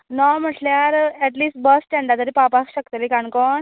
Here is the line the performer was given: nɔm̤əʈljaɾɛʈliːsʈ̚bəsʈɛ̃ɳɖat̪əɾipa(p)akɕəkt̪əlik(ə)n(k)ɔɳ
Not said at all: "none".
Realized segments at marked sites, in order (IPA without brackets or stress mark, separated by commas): p, a, k